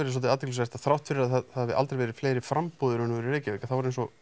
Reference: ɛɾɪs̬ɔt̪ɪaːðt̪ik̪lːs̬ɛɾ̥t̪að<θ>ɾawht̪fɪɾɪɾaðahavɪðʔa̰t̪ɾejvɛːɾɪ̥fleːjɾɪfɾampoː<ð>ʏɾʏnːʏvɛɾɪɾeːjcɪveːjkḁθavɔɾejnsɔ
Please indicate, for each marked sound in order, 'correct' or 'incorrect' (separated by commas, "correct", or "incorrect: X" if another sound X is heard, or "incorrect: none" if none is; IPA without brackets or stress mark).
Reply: correct, correct